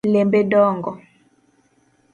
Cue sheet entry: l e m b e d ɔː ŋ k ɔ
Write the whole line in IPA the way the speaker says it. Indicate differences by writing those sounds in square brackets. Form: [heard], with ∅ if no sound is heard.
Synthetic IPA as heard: l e m b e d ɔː ŋ [ɡ] ɔ